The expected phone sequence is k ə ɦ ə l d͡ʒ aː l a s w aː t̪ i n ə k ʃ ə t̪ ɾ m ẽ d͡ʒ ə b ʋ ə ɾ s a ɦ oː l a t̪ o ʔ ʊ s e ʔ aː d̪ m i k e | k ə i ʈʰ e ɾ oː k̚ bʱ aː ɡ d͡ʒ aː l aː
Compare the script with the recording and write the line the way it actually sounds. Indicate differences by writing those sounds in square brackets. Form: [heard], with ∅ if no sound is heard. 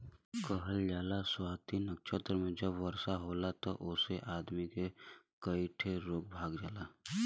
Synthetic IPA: k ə ɦ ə l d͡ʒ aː l a s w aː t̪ i n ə k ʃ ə t̪ ɾ m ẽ d͡ʒ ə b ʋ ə ɾ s a ɦ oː l a t̪ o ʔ ʊ s e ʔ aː d̪ m i k e | k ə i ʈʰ e ɾ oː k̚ bʱ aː ɡ d͡ʒ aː l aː